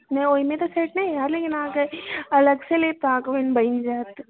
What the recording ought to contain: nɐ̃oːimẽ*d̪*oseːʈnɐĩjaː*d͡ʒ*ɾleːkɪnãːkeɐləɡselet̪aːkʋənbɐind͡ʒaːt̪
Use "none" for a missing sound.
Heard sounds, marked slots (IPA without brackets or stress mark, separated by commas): t̪, none